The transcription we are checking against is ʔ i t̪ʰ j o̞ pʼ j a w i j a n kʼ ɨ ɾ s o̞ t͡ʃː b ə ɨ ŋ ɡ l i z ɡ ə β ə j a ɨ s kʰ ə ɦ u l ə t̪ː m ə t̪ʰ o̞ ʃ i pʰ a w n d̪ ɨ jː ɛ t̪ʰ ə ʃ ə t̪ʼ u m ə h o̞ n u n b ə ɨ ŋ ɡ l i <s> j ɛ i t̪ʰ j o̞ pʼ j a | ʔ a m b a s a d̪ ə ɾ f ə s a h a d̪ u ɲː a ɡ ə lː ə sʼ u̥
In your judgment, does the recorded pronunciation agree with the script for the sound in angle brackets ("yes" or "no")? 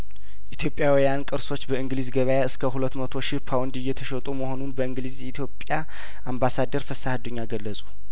no